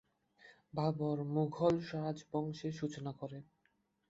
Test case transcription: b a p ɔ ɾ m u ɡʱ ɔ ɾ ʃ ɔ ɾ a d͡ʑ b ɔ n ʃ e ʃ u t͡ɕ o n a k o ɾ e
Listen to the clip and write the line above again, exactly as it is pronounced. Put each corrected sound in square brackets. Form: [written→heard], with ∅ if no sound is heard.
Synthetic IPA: b a [p→b] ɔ ɾ m u ɡʱ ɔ [ɾ→l] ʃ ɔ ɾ a d͡ʑ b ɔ [n→ŋ] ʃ e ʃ u t͡ɕ o n a k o ɾ e